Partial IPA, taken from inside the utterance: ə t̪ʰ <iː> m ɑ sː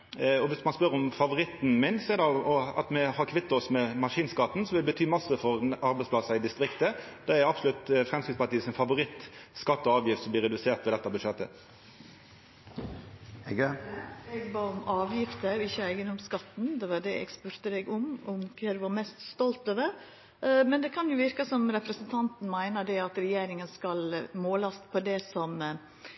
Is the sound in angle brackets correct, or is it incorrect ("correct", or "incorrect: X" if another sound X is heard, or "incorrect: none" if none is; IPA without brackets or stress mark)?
incorrect: yː